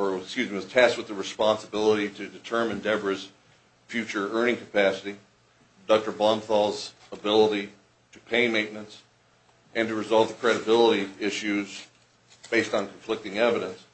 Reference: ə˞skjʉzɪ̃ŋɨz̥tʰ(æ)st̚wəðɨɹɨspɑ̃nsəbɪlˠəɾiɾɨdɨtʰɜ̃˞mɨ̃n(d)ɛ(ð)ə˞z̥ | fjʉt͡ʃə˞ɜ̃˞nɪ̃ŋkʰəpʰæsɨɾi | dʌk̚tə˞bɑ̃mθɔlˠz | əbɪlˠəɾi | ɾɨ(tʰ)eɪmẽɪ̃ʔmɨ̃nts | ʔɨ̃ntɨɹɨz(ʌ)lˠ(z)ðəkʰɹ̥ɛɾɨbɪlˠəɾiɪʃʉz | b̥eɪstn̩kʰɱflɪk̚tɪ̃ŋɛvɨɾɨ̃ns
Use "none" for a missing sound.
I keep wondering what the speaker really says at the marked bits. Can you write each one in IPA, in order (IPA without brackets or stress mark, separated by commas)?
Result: æ, d, v, pʰ, ɑ, v